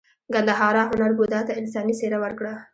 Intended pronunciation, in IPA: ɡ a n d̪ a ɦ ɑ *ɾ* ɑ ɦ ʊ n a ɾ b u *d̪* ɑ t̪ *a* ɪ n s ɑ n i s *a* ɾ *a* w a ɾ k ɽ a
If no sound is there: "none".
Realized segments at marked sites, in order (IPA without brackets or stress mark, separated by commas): ɾ, d̪, a, e, a